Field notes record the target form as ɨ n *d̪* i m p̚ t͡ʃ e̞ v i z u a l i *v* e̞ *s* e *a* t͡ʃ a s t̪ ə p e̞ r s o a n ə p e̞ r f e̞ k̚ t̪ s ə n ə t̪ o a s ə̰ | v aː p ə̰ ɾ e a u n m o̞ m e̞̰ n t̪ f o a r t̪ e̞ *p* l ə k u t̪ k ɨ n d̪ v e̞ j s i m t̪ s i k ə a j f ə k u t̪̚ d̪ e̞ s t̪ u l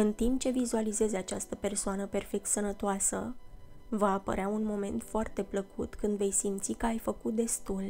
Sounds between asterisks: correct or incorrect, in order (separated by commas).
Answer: incorrect, incorrect, incorrect, correct, correct